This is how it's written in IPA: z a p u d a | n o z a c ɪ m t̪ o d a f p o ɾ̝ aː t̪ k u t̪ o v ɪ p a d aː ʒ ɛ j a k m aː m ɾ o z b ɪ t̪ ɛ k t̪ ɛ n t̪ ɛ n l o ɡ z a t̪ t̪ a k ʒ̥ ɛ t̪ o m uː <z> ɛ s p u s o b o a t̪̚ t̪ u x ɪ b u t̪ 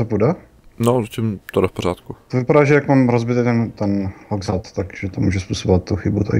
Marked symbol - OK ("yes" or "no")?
no